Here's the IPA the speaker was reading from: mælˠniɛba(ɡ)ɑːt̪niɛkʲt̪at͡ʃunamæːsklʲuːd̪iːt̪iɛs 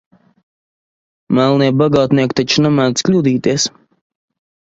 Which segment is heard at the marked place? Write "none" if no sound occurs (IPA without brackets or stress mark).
ɡ